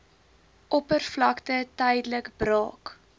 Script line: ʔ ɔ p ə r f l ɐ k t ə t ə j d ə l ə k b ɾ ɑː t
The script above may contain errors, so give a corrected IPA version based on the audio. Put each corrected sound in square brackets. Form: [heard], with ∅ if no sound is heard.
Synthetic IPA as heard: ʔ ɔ p ə r f l ɐ k t ə t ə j d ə l ə k b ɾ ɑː [k]